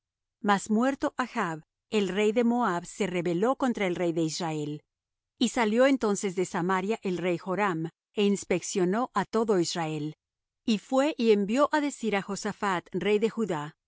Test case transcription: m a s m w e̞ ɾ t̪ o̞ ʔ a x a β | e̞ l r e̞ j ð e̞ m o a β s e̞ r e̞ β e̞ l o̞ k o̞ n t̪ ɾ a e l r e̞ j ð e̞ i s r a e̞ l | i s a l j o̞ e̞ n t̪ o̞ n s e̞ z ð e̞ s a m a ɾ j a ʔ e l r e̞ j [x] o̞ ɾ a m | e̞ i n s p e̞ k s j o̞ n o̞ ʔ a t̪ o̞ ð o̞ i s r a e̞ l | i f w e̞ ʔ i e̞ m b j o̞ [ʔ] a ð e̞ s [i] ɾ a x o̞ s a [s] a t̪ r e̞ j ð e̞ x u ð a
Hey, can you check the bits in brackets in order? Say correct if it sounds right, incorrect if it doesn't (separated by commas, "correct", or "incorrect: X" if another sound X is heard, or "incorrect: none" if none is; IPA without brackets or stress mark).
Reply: correct, correct, correct, incorrect: f